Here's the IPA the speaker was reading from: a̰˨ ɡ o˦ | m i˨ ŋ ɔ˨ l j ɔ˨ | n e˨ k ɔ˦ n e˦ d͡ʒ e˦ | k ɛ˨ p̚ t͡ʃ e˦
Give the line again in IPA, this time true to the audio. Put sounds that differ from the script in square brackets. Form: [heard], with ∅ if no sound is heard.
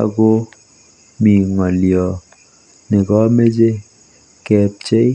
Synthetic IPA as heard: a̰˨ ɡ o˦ | m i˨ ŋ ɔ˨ l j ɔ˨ | n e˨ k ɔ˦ [m] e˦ d͡ʒ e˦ | k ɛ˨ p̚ t͡ʃ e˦